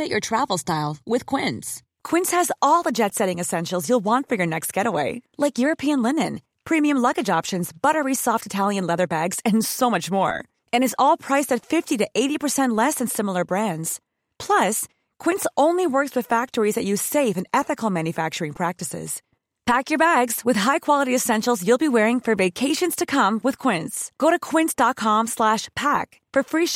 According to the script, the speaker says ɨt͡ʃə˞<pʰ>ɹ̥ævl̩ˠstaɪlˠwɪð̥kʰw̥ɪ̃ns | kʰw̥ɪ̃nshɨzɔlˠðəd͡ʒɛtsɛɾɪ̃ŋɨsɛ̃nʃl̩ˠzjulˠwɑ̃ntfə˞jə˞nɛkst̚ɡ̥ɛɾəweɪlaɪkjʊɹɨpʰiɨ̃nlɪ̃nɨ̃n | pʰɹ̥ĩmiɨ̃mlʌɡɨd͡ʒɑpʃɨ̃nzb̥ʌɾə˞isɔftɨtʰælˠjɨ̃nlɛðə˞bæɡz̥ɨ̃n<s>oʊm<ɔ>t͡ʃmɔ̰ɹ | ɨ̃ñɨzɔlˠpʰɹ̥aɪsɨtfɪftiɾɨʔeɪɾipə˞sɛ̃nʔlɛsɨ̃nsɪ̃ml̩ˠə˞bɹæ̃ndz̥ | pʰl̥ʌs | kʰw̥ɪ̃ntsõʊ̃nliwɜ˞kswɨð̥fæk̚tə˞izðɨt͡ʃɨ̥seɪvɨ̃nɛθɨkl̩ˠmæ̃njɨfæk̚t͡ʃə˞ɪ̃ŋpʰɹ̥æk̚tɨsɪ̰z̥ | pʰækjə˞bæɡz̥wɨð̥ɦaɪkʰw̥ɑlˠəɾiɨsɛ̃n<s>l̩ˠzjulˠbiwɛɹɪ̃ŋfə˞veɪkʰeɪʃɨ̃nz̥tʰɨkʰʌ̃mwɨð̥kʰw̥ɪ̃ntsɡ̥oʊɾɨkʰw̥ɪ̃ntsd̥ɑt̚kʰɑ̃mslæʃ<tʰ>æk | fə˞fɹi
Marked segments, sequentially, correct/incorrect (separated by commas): incorrect, correct, incorrect, incorrect, incorrect